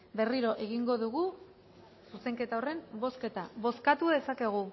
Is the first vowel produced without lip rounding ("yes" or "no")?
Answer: yes